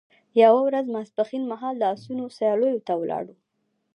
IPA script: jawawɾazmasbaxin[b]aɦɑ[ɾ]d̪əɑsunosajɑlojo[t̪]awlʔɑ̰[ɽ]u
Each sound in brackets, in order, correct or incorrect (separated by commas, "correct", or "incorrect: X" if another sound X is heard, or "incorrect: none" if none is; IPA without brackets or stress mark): incorrect: m, incorrect: l, correct, correct